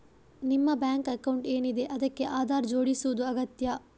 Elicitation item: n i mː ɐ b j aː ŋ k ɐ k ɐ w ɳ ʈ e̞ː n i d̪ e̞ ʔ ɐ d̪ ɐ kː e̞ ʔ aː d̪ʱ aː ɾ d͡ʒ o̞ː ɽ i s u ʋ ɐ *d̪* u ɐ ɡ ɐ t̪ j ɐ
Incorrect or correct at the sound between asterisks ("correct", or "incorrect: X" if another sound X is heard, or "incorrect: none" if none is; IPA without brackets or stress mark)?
correct